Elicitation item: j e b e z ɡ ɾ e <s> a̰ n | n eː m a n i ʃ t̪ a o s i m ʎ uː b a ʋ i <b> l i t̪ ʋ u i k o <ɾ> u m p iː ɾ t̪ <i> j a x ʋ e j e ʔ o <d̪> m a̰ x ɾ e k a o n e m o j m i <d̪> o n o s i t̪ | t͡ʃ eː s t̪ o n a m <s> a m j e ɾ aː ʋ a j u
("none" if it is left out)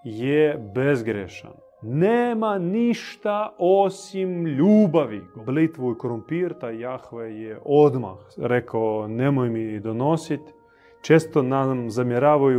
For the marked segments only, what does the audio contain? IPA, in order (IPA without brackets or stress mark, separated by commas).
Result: ʃ, b, ɾ, a, d̪, d̪, z